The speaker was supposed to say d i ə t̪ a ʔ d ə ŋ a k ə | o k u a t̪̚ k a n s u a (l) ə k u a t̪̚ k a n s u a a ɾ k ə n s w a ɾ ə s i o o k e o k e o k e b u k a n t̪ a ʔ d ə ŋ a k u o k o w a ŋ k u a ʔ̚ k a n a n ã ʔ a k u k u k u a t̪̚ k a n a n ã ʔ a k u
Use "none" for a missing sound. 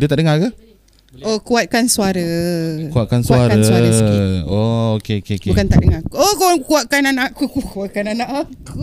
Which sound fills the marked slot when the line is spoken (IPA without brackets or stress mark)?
ɾ